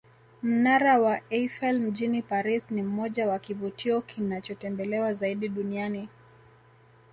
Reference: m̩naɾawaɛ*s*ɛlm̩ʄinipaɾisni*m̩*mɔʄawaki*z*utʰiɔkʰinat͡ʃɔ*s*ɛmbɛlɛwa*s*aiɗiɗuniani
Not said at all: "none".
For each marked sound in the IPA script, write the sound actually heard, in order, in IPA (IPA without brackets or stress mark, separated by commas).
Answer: f, m̩, v, t, z